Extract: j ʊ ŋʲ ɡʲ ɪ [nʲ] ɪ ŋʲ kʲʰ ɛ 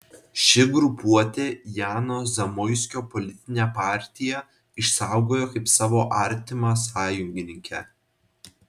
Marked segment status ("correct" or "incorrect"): correct